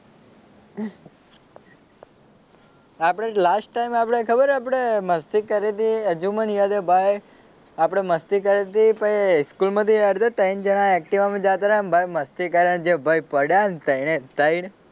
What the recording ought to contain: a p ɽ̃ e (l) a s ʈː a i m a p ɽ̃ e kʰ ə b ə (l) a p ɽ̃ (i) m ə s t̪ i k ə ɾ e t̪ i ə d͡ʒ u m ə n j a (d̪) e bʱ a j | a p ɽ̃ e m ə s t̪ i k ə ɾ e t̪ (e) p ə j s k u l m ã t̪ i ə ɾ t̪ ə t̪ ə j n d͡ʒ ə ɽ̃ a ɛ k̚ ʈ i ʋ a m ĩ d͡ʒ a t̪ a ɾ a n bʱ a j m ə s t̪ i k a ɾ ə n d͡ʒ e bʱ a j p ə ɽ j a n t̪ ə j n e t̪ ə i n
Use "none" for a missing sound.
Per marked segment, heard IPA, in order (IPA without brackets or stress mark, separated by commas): l, ɾ, e, d̪, i